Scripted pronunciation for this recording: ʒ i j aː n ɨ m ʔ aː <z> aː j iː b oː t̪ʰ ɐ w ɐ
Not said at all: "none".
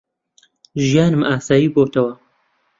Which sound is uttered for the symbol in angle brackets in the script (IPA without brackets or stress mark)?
s